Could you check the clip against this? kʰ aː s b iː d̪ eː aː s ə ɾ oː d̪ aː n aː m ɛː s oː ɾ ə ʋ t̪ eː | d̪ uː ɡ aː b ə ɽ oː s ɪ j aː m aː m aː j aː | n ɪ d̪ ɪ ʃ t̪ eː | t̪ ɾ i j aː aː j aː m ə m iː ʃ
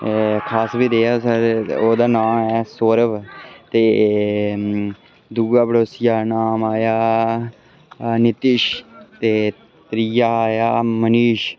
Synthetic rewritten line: kʰ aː s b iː d̪ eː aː s ə ɾ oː d̪ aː n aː m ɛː s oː ɾ ə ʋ t̪ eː | d̪ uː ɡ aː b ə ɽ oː s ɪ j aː n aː m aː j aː | n ɪ t̪ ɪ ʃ t̪ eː | t̪ ɾ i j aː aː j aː m ə n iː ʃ

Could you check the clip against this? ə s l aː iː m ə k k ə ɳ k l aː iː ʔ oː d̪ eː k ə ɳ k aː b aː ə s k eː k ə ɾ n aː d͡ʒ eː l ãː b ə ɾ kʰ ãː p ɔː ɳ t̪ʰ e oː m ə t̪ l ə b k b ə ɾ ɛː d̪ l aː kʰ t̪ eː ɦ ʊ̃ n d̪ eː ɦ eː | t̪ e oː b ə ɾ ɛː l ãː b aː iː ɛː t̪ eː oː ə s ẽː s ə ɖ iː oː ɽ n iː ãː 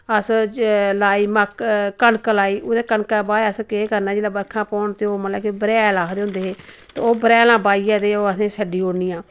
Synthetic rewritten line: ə s l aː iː m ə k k ə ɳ k l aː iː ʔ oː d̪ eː k ə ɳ k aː b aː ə s k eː k ə ɾ n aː d͡ʒ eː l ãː b ə ɾ kʰ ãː p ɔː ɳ t̪ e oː m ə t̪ l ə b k b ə ɾ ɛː l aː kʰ d̪ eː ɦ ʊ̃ n d̪ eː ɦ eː | t̪ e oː b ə ɾ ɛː l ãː b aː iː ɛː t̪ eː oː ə s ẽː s ə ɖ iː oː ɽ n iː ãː

